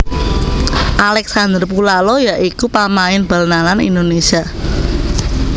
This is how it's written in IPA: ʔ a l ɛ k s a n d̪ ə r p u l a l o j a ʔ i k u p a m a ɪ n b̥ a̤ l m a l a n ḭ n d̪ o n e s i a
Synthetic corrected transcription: ʔ a l ɛ k s a n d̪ ə r p u l a l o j a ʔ i k u p a m a ɪ n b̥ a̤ l n a l a n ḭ n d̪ o n e s i a